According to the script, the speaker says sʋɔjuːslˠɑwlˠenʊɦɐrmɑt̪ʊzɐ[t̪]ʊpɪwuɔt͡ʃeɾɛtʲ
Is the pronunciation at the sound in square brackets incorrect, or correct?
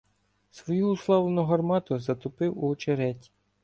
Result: correct